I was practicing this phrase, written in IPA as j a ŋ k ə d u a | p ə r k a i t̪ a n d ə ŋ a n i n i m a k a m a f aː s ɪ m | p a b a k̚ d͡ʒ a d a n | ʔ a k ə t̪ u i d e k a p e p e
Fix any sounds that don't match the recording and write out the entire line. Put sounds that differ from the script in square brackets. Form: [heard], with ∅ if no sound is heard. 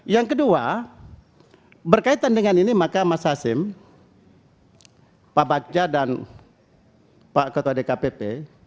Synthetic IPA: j a ŋ k ə d u a | [b] ə r k a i t̪ a n d ə ŋ a n i n i m a k a m a [s] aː s ɪ m | p a b a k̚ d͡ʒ a d a n | [p] a k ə t̪ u [a] d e k a p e p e